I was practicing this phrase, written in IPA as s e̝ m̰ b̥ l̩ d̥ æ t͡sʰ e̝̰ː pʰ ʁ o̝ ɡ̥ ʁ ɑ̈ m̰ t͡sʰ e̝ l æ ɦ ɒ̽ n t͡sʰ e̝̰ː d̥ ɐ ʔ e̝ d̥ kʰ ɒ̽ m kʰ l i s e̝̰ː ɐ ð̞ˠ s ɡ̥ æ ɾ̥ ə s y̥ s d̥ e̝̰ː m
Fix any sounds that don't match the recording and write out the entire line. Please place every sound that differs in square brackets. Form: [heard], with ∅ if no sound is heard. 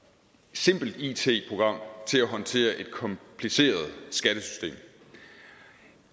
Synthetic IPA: s e̝ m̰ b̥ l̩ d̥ [i] t͡sʰ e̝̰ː pʰ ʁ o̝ ɡ̥ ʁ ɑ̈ m̰ t͡sʰ e̝ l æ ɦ ɒ̽ n t͡sʰ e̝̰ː [∅] ɐ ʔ e̝ d̥ kʰ ɒ̽ m [pʰ] l i s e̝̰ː ɐ ð̞ˠ s ɡ̥ æ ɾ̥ ə s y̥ s d̥ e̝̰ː m